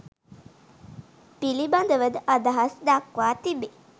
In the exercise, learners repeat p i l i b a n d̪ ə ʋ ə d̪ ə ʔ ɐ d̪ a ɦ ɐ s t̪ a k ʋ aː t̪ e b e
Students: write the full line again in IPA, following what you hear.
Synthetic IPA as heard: p i l i b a n d̪ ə ʋ ə d̪ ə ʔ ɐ d̪ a ɦ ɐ s d̪ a k ʋ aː t̪ i b e